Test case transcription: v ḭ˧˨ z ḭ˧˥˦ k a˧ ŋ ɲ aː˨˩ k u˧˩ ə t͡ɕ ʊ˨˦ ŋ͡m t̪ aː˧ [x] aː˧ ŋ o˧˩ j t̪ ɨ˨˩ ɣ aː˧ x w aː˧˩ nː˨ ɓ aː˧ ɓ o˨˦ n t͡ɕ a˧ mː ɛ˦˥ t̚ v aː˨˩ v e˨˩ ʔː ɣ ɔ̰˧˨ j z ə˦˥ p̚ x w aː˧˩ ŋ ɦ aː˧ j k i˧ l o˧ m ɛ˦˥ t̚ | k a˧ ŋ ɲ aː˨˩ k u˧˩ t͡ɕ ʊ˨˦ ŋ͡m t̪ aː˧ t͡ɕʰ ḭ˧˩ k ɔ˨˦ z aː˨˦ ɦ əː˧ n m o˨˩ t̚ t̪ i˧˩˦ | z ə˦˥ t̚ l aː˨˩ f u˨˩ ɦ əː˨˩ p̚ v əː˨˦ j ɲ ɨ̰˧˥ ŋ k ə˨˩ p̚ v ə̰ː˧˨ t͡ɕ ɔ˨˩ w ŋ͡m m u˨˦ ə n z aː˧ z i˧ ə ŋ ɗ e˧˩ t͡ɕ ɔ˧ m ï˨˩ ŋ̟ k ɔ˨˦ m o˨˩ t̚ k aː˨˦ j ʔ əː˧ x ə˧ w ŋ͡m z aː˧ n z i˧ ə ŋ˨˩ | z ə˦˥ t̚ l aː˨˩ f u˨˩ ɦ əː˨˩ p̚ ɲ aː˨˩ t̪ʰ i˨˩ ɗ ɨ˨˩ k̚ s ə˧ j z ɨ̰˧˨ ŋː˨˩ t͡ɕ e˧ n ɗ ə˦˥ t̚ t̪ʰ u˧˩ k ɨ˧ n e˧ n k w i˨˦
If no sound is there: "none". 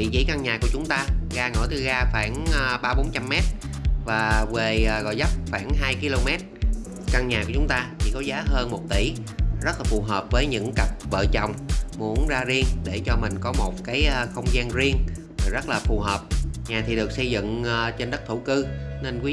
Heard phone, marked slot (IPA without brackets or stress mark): ɣ